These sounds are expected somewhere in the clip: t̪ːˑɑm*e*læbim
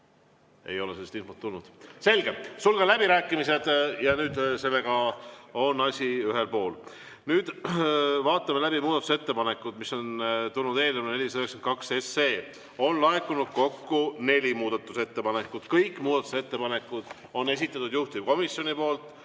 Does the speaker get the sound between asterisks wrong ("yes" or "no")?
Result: no